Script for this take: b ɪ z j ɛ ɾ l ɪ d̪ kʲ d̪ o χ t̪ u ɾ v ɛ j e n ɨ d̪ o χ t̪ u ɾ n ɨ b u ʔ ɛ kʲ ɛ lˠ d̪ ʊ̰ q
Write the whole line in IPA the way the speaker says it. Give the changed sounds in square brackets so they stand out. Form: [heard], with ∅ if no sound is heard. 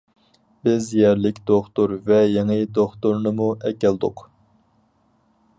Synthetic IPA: b ɪ z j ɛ ɾ l ɪ [∅] kʲ d̪ o χ t̪ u ɾ v ɛ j e [ŋ] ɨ d̪ o χ t̪ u ɾ n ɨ [m] u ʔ ɛ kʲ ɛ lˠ d̪ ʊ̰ q